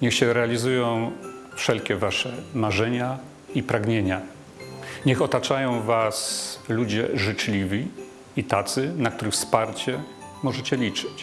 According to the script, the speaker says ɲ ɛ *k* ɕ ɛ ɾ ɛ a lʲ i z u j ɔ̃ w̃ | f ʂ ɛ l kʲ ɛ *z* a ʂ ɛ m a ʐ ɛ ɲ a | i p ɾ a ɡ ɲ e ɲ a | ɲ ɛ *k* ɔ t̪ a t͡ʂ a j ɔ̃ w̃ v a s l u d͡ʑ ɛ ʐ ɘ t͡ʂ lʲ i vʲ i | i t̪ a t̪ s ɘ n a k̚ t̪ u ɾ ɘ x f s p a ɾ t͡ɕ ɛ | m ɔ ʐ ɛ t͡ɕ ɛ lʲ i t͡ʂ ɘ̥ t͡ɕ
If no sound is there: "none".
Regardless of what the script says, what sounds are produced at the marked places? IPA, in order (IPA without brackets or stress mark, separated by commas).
x, v, x